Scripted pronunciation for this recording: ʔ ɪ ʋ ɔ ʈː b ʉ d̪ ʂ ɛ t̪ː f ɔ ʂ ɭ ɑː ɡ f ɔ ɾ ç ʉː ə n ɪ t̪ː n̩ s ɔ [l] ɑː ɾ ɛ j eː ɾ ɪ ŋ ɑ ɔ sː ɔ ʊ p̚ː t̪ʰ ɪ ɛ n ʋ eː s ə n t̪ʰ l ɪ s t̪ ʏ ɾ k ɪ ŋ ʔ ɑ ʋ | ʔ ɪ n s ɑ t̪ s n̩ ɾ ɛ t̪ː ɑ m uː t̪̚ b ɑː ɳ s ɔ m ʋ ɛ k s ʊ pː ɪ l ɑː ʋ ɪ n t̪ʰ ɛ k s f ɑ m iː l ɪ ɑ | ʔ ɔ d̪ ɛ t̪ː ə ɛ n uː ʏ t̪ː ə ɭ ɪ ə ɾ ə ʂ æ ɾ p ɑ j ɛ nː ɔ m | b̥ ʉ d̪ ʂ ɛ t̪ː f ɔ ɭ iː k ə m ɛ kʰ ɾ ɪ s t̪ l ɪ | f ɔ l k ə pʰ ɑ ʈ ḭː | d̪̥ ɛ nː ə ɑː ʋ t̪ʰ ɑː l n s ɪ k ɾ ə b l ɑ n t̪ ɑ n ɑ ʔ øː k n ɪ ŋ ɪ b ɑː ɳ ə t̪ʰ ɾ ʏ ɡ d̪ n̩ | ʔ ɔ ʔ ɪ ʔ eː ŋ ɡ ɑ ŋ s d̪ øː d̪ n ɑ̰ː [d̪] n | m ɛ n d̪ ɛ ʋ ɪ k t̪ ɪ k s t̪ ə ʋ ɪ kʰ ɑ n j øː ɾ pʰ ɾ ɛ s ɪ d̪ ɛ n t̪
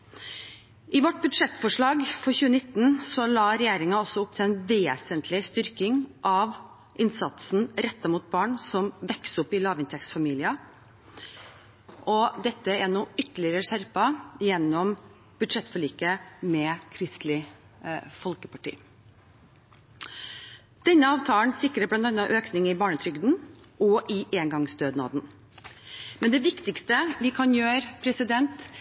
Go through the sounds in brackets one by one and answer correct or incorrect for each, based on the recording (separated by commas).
correct, correct